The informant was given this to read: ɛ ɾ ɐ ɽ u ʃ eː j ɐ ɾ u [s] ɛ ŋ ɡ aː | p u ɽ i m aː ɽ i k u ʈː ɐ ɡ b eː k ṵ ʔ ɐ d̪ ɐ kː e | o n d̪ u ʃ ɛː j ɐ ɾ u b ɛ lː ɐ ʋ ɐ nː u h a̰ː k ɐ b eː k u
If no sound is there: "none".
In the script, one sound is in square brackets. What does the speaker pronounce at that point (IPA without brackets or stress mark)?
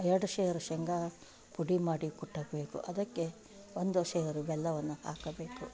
ʃ